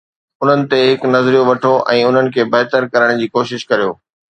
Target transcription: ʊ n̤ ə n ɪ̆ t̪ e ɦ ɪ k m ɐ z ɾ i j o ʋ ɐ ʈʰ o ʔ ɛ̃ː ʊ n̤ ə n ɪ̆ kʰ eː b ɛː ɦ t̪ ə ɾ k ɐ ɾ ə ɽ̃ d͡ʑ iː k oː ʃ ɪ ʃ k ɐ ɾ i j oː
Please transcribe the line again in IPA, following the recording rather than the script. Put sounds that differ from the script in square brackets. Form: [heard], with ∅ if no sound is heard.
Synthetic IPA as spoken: ʊ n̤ ə n ɪ̆ t̪ e ɦ ɪ k [n] ɐ z ɾ i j o ʋ ɐ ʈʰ o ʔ ɛ̃ː ʊ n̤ ə n ɪ̆ kʰ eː b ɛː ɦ t̪ ə ɾ k ɐ ɾ ə ɽ̃ d͡ʑ iː k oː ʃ ɪ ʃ k ɐ ɾ i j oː